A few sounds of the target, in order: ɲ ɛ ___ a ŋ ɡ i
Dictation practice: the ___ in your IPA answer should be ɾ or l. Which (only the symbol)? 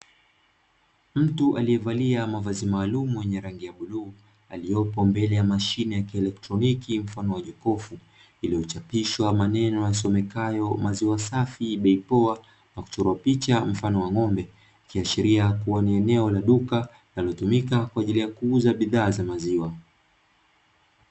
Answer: ɾ